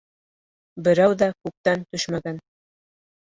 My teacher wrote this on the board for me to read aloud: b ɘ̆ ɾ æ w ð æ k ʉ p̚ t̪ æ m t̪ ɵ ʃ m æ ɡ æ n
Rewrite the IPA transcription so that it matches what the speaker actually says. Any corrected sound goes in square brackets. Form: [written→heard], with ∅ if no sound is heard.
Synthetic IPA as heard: b ɘ̆ ɾ æ w ð æ k ʉ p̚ t̪ æ [m→n] t̪ ɵ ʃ m æ ɡ æ n

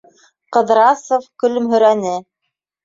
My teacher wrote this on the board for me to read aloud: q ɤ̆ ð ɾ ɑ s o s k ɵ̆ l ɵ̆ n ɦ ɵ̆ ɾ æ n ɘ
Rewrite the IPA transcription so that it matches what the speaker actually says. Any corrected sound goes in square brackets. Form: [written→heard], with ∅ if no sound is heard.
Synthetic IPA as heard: q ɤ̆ ð ɾ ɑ s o [s→f] k ɵ̆ l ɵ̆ [n→m] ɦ ɵ̆ ɾ æ n ɘ

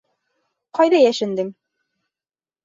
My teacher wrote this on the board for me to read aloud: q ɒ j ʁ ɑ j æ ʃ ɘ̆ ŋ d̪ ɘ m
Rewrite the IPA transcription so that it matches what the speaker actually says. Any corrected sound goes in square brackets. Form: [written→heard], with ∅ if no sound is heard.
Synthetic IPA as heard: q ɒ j [ʁ→ð] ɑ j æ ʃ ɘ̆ [ŋ→n] d̪ ɘ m

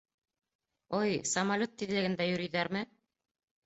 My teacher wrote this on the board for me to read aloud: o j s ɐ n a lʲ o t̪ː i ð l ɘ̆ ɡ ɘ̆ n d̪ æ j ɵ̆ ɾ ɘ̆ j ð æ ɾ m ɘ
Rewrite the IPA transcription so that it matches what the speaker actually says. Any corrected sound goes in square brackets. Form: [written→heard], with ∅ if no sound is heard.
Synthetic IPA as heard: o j s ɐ [n→m] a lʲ o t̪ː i ð l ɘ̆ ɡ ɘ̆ n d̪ æ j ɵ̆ ɾ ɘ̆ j ð æ ɾ m ɘ

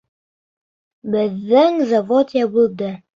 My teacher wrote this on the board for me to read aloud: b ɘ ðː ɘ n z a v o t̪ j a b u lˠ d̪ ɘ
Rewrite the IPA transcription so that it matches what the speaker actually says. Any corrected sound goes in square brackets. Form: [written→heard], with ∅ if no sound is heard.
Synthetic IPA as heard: b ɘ ðː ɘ [n→ŋ] z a v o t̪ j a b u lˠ d̪ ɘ

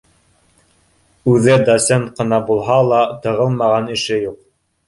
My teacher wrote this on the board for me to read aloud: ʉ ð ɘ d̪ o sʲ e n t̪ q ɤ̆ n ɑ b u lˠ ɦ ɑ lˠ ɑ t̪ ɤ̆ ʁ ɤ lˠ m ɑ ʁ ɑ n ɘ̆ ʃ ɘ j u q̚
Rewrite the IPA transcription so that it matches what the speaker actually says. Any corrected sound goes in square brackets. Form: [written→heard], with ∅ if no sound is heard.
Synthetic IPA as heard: ʉ ð ɘ d̪ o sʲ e n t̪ q ɤ̆ n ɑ b u lˠ ɦ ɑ lˠ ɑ t̪ ɤ̆ ʁ ɤ lˠ m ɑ ʁ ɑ n ɘ̆ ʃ ɘ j u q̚

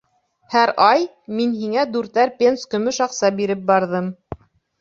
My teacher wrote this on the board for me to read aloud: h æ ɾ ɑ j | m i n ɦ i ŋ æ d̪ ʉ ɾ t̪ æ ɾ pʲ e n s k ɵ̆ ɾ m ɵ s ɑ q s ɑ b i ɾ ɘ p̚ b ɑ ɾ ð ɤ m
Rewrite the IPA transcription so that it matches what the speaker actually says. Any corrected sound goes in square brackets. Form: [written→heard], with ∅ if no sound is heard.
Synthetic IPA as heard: h æ ɾ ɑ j | m i n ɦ i ŋ æ d̪ ʉ ɾ t̪ æ ɾ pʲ e n s k ɵ̆ [ɾ→∅] m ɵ [s→ʃ] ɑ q s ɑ b i ɾ ɘ p̚ b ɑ ɾ ð ɤ m

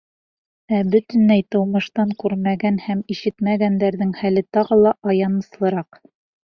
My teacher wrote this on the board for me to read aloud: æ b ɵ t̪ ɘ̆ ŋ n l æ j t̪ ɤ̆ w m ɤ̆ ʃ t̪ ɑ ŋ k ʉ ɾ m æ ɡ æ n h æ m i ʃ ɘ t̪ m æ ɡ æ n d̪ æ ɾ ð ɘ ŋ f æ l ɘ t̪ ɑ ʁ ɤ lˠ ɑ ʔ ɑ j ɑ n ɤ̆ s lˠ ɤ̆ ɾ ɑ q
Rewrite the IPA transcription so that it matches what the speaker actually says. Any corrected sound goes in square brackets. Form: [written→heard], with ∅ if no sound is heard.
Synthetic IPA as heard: æ b ɵ t̪ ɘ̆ [ŋ→∅] n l æ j t̪ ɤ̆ w m ɤ̆ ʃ t̪ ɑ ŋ k ʉ ɾ m æ ɡ æ n h æ m i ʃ ɘ t̪ m æ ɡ æ n d̪ æ ɾ ð ɘ ŋ [f→h] æ l ɘ t̪ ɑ ʁ ɤ lˠ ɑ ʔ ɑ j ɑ n ɤ̆ s lˠ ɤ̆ ɾ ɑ q

